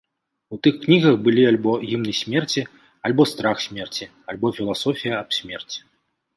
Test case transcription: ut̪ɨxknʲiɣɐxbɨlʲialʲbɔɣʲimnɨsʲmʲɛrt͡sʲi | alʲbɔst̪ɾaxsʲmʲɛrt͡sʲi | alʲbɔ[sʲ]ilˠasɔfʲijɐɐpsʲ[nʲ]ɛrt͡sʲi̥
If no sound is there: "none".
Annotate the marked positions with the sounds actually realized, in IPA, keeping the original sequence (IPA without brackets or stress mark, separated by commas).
fʲ, mʲ